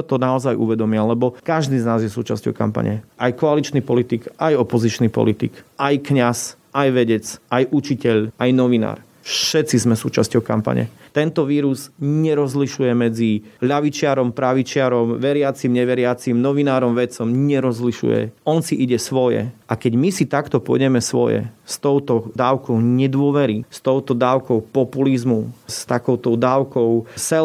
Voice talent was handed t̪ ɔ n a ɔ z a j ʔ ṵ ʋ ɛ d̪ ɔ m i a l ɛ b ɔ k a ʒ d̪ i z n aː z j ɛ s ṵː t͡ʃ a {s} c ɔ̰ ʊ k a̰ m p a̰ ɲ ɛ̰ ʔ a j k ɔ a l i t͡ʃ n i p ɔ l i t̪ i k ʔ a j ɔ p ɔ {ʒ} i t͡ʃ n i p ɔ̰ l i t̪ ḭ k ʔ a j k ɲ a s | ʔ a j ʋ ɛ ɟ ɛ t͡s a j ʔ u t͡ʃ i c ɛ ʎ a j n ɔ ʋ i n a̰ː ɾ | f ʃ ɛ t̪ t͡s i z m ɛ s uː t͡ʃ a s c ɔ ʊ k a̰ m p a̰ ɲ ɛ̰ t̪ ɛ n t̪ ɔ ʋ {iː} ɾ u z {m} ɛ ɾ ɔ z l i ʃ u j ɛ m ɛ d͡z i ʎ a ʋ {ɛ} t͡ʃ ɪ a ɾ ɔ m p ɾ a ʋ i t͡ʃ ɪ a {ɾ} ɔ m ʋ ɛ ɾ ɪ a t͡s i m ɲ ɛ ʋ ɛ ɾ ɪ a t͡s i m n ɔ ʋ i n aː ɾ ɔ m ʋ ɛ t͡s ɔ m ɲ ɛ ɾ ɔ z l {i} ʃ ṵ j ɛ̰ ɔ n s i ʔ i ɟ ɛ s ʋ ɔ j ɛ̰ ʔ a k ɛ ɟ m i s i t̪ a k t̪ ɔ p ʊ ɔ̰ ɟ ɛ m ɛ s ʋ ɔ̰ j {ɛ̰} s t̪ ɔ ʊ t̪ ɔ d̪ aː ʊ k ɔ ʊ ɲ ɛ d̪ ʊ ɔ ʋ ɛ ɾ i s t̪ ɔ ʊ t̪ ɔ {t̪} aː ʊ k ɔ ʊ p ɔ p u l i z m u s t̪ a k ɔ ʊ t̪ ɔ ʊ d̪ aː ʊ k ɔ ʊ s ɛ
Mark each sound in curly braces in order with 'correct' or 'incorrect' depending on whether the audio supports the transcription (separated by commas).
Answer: correct, incorrect, correct, incorrect, incorrect, correct, correct, correct, incorrect